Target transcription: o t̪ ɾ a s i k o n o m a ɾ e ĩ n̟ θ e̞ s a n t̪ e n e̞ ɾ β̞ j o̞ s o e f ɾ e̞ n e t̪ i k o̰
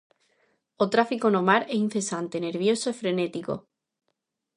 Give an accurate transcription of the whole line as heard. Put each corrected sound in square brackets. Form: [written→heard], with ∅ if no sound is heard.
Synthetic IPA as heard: o t̪ ɾ a [s→f] i k o n o m a ɾ e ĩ n̟ θ e̞ s a n t̪ e n e̞ ɾ β̞ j o̞ s o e f ɾ e̞ n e t̪ i k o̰